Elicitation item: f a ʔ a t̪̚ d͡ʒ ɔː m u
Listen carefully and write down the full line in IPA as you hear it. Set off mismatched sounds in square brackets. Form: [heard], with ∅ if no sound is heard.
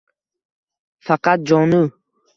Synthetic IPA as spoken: f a [q] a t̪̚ d͡ʒ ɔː [n] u